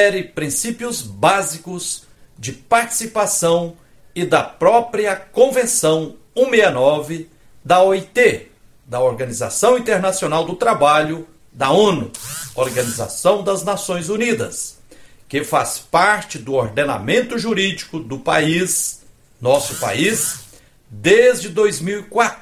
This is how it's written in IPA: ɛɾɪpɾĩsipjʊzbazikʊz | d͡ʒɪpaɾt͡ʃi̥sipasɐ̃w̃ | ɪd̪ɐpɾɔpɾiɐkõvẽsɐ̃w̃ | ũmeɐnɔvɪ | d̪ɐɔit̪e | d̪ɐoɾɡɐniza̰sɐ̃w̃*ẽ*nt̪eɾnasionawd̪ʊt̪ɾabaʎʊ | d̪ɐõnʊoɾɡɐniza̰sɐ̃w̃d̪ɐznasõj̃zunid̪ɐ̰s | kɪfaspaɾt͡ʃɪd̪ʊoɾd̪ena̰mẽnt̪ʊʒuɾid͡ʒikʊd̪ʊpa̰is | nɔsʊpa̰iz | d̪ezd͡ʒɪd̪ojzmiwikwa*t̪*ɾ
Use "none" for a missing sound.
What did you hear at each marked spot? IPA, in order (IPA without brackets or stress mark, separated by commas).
ĩ, t̪